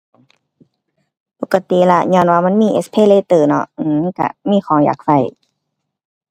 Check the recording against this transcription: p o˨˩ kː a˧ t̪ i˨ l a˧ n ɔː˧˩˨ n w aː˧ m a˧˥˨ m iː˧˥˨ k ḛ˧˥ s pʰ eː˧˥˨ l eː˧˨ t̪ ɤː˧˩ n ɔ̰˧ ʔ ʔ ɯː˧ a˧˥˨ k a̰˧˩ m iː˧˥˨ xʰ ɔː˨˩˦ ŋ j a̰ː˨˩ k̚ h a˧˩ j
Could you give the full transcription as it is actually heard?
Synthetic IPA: p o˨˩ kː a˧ t̪ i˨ l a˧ ɲ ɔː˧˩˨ n w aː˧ m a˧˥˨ m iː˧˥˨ ʔ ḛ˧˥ s pʰ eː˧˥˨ l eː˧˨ t̪ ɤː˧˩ n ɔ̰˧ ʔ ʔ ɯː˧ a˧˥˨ k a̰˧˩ m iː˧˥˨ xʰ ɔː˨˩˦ ŋ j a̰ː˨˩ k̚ f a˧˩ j